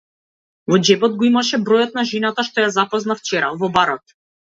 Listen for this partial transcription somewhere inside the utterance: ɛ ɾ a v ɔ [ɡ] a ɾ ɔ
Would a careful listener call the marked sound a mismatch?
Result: yes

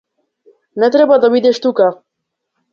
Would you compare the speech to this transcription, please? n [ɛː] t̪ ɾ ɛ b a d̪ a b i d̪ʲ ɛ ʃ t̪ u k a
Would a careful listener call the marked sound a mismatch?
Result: yes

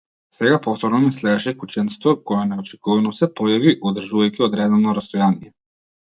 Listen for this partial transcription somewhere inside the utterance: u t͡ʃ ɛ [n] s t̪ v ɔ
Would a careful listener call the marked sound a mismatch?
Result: no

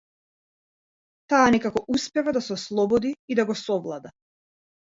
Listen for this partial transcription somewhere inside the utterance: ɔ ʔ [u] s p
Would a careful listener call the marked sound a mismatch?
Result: no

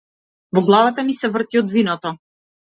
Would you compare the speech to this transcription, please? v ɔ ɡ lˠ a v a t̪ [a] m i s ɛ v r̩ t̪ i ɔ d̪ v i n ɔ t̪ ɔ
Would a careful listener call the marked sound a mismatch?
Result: no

